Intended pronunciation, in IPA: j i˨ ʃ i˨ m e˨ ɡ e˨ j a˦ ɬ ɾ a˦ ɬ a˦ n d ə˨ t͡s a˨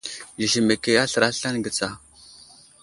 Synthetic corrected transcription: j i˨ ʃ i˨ m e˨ k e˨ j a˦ ɬ ɾ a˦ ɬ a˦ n ɡ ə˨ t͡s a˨